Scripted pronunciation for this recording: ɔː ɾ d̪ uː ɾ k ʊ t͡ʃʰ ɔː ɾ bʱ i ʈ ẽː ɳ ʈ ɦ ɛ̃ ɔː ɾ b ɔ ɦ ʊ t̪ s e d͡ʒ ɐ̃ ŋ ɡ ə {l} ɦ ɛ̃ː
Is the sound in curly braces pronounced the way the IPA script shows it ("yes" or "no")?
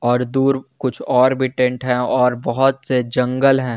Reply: yes